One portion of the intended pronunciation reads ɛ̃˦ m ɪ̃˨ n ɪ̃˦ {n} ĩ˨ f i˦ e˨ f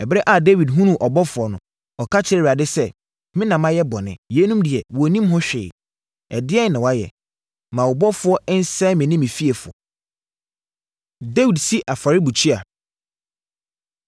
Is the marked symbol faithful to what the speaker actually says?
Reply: no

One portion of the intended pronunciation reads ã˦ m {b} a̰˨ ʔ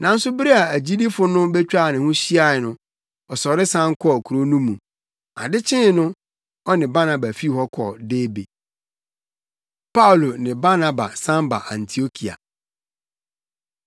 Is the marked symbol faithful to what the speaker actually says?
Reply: yes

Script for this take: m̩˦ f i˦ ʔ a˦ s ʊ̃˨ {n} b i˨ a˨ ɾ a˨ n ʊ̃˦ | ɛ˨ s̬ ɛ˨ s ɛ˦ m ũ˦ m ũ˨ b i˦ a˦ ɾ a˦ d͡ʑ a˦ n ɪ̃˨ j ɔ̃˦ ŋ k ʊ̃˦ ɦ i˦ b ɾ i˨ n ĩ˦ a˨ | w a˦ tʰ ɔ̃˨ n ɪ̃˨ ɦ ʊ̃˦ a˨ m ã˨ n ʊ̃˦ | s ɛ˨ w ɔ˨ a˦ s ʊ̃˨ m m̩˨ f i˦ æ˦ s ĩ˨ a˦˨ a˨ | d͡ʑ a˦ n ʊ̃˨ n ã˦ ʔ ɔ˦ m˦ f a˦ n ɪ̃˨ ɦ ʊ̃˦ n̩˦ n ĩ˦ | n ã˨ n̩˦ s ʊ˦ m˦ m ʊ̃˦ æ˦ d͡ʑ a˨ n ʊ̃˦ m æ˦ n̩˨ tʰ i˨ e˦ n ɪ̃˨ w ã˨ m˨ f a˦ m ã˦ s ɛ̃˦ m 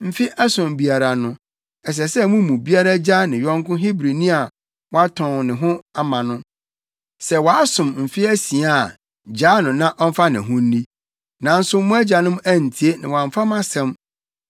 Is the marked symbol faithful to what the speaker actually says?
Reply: no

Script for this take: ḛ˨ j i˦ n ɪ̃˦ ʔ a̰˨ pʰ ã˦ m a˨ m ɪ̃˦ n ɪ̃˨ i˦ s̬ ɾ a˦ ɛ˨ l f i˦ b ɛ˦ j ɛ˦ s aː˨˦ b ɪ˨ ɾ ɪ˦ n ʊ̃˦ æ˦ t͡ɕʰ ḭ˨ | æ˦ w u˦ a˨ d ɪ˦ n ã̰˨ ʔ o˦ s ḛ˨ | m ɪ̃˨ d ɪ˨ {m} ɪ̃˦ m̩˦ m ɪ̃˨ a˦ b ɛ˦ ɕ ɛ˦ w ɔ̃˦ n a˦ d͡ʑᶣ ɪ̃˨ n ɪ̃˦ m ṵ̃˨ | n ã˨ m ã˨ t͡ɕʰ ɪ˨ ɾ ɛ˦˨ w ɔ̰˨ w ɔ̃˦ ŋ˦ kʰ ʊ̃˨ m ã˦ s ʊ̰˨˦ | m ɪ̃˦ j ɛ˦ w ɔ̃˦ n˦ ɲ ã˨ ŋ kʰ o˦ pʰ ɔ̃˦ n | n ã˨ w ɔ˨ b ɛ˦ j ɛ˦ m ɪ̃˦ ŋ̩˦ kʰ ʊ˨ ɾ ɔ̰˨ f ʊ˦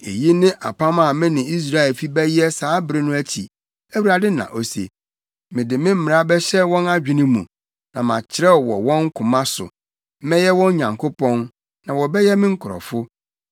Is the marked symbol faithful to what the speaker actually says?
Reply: yes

